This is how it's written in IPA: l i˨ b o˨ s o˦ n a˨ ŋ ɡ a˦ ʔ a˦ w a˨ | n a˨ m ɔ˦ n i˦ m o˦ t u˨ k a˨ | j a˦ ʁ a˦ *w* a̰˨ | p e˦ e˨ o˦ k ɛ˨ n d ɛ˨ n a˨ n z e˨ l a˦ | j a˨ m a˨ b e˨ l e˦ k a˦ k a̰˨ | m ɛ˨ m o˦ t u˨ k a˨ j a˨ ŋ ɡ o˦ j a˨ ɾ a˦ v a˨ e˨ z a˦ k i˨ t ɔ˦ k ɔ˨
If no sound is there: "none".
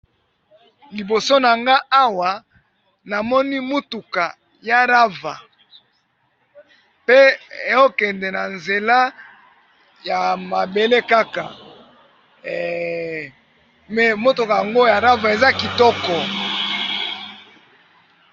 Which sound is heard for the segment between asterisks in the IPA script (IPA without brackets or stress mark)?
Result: v